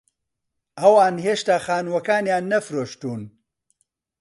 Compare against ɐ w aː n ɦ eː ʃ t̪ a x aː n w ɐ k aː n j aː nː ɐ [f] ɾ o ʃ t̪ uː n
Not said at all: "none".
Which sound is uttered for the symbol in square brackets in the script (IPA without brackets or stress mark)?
f